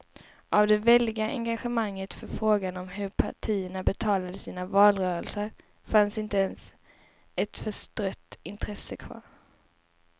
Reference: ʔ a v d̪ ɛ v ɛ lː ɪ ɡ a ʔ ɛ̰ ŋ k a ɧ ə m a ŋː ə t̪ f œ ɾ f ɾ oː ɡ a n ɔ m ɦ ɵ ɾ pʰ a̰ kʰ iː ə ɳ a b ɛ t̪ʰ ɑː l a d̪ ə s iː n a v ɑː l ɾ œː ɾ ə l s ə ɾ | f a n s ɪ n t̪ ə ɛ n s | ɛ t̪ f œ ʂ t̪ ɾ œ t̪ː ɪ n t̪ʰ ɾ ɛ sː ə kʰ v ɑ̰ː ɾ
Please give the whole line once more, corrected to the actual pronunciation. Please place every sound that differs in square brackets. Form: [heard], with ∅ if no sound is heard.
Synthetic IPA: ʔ a v d̪ ɛ v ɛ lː ɪ ɡ a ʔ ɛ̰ ŋ [ɡ] a ɧ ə m a ŋː ə t̪ f œ ɾ f ɾ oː ɡ a n ɔ m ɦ ɵ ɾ pʰ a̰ [ʈʰ] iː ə ɳ a b ɛ t̪ʰ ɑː l a d̪ ə s iː n a v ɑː l ɾ œː ɾ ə l s ə ɾ | f a n s ɪ n t̪ ə ɛ n s | ɛ t̪ f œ ʂ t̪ ɾ œ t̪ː ɪ n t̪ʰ ɾ ɛ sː ə kʰ v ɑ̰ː ɾ